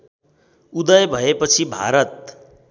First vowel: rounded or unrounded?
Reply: rounded